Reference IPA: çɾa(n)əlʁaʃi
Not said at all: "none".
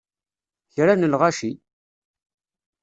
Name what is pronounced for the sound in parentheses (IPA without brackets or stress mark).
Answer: n